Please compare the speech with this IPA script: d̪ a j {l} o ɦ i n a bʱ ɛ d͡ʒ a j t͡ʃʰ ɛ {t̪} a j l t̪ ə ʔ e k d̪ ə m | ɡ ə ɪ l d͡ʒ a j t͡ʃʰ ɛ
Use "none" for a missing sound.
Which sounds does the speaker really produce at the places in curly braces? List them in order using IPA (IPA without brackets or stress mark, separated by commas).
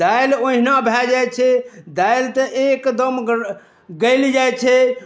l, d̪